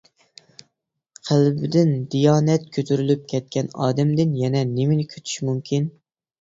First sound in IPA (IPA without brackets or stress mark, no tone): qʰ